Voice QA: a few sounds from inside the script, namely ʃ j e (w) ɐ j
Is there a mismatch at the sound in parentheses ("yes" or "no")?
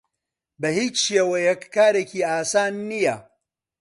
no